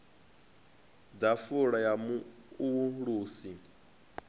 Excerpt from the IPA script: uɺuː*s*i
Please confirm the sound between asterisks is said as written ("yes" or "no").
yes